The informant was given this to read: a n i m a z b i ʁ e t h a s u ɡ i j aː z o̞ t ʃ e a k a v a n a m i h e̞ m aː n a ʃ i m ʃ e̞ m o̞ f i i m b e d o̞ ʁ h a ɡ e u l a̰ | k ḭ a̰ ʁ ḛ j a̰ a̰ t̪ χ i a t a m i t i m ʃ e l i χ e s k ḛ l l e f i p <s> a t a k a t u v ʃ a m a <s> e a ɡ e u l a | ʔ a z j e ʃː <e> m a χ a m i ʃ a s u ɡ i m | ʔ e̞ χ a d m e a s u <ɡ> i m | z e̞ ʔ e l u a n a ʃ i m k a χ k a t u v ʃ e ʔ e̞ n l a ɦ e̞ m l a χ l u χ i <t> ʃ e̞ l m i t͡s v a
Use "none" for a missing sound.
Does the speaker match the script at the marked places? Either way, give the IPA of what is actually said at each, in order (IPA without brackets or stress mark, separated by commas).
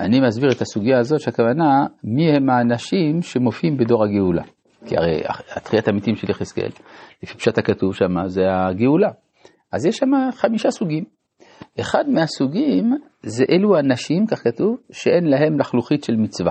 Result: ʃ, z, a, ɡ, t